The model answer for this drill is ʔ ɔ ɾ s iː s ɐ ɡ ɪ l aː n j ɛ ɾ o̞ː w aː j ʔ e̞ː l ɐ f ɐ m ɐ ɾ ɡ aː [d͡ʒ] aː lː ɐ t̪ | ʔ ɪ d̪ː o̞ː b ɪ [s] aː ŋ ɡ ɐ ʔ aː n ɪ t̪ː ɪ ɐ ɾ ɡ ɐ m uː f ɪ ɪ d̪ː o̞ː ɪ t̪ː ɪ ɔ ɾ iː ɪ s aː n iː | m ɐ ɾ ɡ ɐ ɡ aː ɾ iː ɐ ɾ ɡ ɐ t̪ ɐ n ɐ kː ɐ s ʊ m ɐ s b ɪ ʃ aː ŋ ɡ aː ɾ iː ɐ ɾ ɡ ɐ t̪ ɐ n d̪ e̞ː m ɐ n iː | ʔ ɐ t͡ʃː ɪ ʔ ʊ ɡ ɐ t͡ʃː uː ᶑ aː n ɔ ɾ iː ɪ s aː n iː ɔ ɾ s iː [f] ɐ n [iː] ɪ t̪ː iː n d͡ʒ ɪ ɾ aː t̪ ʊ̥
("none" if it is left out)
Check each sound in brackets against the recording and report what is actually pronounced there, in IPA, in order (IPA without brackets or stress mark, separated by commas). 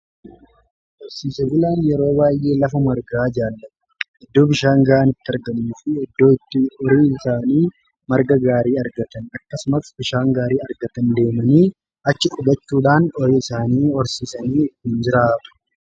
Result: d͡ʒ, ʃ, s, iː